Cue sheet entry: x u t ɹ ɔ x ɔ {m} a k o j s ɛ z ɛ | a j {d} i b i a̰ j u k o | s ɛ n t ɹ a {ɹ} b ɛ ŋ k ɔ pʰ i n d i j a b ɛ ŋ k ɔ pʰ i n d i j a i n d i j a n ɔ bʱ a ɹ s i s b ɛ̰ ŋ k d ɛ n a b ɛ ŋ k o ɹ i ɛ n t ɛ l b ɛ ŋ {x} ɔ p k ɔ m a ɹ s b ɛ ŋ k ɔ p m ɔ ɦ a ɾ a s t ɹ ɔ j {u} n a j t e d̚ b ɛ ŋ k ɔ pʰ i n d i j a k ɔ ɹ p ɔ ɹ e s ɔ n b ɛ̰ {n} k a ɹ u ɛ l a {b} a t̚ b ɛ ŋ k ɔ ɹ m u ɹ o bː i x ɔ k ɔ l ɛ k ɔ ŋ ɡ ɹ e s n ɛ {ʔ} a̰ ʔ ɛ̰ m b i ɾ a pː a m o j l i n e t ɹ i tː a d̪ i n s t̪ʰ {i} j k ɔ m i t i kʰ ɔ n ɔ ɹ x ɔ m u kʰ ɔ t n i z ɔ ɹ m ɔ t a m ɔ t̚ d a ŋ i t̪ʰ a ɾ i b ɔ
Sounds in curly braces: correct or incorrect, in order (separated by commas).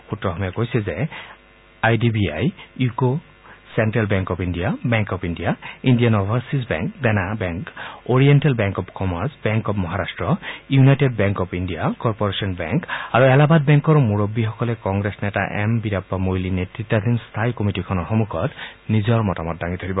correct, correct, incorrect, incorrect, correct, incorrect, correct, incorrect, incorrect